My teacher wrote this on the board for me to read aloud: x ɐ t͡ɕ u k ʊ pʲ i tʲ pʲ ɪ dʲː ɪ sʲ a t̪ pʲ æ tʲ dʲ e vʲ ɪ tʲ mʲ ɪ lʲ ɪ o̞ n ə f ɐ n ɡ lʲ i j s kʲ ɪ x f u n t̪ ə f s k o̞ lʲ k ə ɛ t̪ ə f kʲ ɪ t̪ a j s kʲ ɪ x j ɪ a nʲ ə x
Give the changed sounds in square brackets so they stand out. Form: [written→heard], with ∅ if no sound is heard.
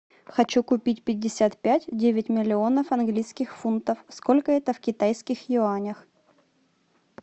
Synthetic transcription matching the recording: x ɐ t͡ɕ u k ʊ pʲ i tʲ pʲ ɪ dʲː ɪ sʲ a t̪ pʲ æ tʲ dʲ e vʲ ɪ tʲ mʲ ɪ lʲ ɪ o̞ n ə f ɐ n ɡ lʲ i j s kʲ ɪ x f u n t̪ ə f s k o̞ lʲ k ə ɛ t̪ ə f kʲ ɪ t̪ a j s kʲ ɪ x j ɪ a nʲ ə x